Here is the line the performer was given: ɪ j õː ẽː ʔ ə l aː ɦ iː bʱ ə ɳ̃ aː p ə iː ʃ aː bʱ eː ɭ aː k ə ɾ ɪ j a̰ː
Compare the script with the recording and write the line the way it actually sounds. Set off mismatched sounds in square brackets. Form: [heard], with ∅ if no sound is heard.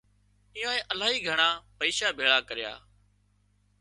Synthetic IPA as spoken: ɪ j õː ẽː ʔ ə l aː ɦ iː [ɡʱ] ə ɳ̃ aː p ə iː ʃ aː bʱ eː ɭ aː k ə ɾ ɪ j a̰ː